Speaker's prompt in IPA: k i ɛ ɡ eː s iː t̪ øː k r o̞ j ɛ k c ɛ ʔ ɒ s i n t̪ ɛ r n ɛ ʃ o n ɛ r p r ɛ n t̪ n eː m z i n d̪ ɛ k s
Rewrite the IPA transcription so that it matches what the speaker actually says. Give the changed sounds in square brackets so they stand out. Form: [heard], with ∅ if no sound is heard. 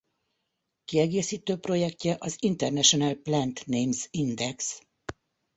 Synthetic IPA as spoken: k i ɛ ɡ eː s iː t̪ øː [p] r o̞ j ɛ k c ɛ ʔ ɒ [z] i n t̪ ɛ r n ɛ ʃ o n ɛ [l] p [l] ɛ n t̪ n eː m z i n d̪ ɛ k s